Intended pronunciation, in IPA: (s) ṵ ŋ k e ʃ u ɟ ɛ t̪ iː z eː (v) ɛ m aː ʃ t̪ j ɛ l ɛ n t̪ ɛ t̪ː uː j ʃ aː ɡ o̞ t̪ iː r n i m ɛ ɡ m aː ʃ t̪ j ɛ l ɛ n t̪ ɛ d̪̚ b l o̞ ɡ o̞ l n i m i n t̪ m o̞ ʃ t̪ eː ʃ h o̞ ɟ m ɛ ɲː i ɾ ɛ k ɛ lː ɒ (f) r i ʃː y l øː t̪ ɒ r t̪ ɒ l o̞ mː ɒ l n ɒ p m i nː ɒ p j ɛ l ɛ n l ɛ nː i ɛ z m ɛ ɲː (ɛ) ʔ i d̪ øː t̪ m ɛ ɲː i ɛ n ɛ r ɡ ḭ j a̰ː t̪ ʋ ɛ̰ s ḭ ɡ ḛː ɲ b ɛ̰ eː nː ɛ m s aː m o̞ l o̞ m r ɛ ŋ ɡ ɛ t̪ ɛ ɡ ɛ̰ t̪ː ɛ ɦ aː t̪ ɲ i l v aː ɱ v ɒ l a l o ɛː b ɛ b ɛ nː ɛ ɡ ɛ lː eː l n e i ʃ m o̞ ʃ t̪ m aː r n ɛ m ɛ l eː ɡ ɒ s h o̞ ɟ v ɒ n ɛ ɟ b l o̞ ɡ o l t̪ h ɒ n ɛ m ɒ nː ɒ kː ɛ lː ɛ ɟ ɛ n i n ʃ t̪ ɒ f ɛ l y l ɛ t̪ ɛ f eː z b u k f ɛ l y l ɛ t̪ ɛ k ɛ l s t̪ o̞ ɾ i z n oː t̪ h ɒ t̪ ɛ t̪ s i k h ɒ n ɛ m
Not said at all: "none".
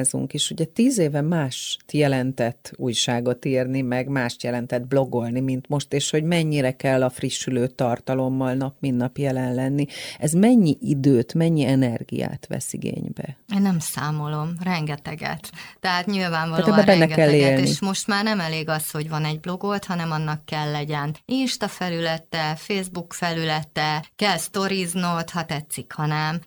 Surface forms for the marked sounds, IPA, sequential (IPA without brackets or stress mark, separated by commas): z, v, f, i